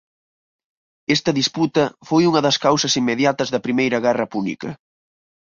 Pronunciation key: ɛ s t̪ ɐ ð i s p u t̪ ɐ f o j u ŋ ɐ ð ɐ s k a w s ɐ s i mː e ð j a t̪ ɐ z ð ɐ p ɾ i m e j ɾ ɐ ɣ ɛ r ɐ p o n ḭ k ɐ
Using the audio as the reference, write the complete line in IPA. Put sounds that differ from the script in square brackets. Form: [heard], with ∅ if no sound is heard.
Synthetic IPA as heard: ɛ s t̪ ɐ ð i s p u t̪ ɐ f o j u ŋ ɐ ð ɐ s k a w s ɐ s i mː e ð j a t̪ ɐ z ð ɐ p ɾ i m e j ɾ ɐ ɣ ɛ r ɐ p [u] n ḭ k ɐ